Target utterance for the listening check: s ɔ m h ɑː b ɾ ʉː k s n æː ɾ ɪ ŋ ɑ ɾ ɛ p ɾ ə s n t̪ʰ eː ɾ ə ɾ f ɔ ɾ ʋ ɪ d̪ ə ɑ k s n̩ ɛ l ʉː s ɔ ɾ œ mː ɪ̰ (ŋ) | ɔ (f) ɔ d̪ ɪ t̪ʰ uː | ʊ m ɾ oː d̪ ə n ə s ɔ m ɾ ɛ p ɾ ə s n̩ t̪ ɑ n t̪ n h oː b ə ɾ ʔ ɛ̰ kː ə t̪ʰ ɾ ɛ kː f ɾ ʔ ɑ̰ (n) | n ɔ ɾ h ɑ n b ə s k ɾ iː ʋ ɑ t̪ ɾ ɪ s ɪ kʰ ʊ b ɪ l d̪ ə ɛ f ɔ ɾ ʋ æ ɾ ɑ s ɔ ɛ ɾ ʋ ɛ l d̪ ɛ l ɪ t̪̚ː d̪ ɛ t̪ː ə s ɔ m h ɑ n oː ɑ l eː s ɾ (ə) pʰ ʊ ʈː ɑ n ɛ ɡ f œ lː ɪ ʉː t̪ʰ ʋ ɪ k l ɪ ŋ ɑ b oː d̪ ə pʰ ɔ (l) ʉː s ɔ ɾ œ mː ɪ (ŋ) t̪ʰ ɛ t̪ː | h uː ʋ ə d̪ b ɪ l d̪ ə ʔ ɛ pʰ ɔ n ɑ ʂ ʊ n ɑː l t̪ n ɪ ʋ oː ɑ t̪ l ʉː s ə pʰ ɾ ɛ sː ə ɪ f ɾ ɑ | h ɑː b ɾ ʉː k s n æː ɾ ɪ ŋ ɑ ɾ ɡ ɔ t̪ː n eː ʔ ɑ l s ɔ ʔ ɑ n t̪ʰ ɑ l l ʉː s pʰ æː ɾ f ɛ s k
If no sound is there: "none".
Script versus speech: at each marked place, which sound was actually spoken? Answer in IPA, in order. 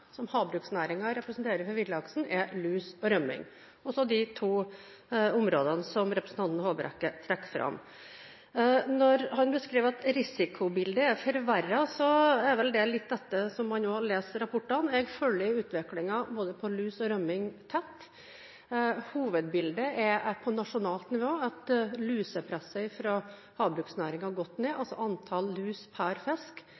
ŋ, s, m, ɑ, l, ŋ

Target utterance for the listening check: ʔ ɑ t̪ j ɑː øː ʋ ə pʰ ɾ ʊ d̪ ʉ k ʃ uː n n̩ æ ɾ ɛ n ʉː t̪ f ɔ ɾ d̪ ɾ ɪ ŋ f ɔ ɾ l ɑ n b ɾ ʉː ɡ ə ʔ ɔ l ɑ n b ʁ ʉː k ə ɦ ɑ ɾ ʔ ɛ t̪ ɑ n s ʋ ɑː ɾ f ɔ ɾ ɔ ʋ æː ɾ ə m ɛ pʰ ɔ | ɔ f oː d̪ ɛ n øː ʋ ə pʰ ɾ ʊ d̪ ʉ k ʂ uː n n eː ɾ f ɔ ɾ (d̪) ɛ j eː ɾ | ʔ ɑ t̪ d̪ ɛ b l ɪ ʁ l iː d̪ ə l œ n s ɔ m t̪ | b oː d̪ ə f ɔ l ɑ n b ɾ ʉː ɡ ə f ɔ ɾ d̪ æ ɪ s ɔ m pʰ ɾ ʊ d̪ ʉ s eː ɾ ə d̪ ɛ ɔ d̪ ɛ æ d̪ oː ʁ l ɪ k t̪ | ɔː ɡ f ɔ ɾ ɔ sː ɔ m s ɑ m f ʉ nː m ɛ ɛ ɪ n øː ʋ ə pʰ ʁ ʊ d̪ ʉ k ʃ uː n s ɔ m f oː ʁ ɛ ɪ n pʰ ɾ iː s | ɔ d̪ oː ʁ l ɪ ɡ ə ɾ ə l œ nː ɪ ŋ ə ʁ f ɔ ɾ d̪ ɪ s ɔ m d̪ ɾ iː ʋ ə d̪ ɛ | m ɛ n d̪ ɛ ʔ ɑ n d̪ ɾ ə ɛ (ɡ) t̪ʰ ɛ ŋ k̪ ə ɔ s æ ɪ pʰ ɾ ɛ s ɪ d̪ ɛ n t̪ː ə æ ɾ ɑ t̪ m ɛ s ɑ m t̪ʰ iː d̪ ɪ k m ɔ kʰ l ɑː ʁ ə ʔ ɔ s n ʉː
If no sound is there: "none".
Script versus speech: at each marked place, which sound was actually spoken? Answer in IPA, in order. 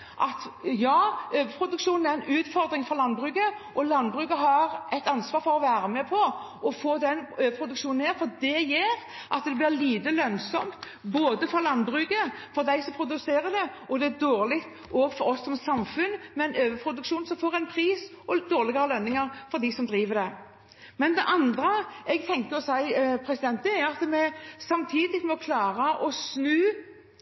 d̪, ɡ

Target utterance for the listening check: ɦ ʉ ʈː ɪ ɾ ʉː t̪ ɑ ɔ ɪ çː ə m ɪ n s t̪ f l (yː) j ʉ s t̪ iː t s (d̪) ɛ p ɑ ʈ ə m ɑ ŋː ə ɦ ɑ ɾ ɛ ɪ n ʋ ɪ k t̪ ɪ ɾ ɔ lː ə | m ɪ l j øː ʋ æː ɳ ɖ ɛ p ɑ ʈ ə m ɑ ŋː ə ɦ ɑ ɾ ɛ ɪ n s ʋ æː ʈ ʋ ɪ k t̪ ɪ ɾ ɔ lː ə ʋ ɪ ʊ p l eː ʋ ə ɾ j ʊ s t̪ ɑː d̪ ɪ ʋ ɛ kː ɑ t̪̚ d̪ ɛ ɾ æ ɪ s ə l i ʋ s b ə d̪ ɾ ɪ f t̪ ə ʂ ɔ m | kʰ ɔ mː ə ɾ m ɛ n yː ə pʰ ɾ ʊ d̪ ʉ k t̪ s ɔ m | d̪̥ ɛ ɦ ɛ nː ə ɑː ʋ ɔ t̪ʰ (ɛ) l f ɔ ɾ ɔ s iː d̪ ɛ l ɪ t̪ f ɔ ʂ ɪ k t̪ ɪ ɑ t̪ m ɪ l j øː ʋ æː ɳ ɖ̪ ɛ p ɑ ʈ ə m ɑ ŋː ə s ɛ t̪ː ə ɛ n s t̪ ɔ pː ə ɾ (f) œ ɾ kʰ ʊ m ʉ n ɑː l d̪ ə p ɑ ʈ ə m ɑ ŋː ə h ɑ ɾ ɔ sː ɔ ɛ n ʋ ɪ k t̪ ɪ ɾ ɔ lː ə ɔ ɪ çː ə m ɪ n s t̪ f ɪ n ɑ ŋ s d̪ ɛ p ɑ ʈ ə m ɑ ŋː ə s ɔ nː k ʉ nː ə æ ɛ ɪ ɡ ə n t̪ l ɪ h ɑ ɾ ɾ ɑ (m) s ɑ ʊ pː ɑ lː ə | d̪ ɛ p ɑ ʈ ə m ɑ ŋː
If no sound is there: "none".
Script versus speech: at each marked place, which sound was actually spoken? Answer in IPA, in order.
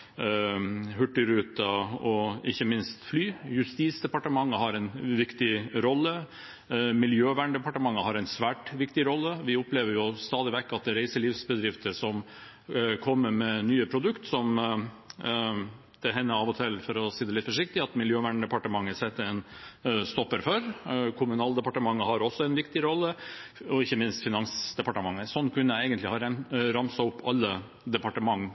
yː, d̪, ɛ, f, m

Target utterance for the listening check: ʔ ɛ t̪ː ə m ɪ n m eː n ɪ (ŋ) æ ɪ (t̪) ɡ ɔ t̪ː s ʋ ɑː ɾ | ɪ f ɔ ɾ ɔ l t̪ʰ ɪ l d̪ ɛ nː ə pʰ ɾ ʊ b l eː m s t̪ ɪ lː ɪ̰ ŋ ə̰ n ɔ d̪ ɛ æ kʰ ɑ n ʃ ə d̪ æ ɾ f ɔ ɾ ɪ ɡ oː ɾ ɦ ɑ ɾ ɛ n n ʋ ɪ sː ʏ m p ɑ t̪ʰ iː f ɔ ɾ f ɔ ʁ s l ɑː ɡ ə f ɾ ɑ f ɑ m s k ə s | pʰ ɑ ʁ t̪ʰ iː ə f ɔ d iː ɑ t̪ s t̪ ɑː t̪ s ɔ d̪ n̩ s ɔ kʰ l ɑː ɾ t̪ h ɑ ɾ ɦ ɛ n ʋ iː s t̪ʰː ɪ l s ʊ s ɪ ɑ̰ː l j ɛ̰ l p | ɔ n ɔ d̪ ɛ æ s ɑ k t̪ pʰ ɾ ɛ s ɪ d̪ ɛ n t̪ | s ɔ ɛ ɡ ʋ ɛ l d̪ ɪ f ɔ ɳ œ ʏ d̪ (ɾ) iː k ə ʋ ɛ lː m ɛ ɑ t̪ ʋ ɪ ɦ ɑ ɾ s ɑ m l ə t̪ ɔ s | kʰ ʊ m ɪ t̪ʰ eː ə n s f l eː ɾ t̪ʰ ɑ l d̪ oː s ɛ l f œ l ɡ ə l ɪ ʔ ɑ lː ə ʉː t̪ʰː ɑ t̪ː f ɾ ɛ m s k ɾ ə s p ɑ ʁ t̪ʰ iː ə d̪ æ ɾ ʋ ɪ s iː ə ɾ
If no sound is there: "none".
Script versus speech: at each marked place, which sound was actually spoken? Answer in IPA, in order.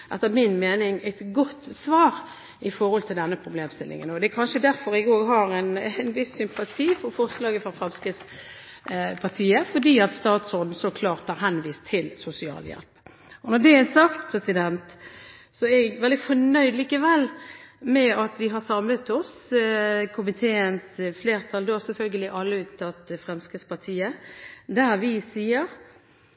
ŋ, t̪, l

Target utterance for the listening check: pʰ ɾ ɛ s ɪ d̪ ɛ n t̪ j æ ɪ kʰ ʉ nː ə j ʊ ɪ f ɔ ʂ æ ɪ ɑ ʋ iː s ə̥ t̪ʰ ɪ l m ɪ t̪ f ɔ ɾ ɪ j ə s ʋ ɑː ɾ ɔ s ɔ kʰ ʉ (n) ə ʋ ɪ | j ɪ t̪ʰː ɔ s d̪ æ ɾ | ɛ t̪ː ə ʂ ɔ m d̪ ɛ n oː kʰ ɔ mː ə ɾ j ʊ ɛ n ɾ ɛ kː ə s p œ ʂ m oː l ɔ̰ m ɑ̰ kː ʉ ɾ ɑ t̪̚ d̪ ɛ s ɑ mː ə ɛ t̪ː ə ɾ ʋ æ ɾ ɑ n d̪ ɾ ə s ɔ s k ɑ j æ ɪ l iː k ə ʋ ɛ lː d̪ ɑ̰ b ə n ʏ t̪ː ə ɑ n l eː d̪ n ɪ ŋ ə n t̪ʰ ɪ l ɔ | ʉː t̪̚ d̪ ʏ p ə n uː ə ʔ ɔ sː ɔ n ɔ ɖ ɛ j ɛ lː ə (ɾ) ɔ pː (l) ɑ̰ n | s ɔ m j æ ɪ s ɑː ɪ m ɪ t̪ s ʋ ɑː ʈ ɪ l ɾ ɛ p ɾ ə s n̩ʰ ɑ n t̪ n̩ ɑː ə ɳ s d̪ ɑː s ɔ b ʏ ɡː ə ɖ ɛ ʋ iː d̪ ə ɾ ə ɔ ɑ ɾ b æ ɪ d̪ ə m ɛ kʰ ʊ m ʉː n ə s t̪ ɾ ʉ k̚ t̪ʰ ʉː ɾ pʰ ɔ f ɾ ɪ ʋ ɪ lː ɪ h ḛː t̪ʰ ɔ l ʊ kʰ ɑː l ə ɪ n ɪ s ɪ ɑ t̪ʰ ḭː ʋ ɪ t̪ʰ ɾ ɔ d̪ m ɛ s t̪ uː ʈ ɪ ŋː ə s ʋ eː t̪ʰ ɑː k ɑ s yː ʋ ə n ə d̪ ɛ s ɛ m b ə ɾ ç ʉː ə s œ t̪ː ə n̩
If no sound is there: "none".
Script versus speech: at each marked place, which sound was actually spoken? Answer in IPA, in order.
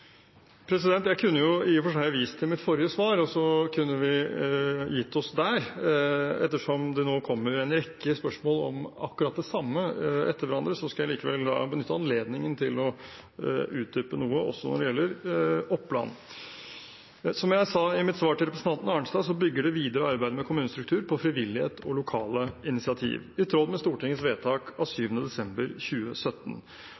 nː, ɾ, l

